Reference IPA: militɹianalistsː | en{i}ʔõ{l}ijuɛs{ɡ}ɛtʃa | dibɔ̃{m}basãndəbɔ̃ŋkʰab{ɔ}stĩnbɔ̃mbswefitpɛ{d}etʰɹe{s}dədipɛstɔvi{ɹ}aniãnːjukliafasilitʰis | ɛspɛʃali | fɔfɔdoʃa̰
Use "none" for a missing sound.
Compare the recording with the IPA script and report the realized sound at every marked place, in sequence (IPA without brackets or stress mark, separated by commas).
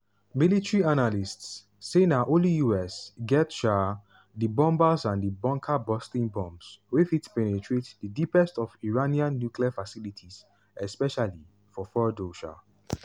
a, l, ɡ, m, ɔ, n, t, ɹ